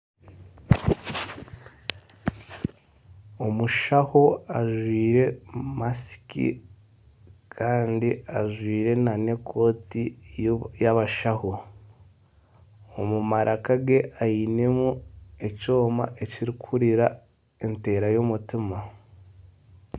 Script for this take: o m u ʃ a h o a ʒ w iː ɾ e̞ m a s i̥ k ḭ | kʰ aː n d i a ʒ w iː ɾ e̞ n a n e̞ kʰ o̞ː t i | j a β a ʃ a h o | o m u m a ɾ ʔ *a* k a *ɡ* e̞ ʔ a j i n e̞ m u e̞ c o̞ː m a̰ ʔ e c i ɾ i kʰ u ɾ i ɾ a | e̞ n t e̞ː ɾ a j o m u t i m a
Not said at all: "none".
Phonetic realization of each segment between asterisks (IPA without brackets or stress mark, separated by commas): a, ɡ